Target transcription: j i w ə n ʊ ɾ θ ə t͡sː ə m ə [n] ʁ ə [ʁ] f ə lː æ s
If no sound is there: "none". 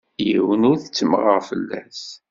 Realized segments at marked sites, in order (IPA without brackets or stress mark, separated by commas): none, ʁ